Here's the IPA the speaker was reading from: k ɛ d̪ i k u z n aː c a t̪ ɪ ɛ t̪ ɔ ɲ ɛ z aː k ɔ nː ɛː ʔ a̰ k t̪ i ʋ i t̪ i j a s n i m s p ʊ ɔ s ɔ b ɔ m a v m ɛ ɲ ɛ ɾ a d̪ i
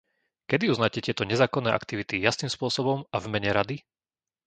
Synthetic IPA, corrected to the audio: k ɛ d̪ i u z n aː c ɛ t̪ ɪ ɛ t̪ ɔ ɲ ɛ z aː k ɔ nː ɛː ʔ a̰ k t̪ i ʋ i t̪ i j a s n i m s p ʊ ɔ s ɔ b ɔ m a v m ɛ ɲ ɛ ɾ a d̪ i